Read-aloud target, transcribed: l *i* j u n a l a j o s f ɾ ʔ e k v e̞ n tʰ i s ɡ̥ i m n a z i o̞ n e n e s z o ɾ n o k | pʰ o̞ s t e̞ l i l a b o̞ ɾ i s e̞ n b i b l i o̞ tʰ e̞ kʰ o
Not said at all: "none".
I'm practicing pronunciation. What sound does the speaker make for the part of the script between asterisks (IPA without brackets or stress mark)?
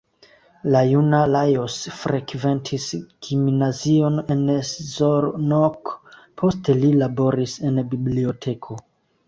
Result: a